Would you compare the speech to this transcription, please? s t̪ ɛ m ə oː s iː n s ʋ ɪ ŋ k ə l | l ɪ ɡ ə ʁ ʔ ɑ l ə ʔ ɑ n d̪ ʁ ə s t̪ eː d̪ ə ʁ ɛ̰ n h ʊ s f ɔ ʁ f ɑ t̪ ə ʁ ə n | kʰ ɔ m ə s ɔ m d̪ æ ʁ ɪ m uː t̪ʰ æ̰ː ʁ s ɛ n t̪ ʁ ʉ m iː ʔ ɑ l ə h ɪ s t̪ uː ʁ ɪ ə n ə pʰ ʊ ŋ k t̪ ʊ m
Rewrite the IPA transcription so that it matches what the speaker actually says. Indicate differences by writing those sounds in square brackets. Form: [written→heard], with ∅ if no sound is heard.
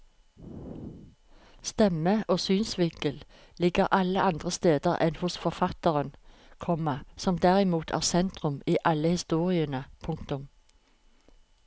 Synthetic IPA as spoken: s t̪ ɛ m ə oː s [iː→yː] n s ʋ ɪ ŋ k ə l | l ɪ ɡ ə ʁ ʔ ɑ l ə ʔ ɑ n d̪ ʁ ə s t̪ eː d̪ ə ʁ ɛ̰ n h ʊ s f ɔ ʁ f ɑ t̪ ə ʁ ə n | kʰ ɔ m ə s ɔ m d̪ æ ʁ ɪ m uː t̪ʰ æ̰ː ʁ s ɛ n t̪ ʁ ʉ m iː ʔ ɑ l ə h ɪ s t̪ uː ʁ ɪ ə n ə pʰ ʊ ŋ k t̪ ʊ m